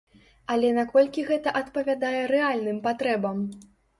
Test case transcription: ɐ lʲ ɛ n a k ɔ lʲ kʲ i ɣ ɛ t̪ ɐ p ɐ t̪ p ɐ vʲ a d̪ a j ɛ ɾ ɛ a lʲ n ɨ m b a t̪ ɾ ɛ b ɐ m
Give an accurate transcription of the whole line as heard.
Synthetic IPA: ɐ lʲ ɛ n a k ɔ lʲ kʲ i ɣ ɛ t̪ ɐ ʔ ɐ t̪ p ɐ vʲ a d̪ a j ɛ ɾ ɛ a lʲ n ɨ m p a t̪ ɾ ɛ b ɐ m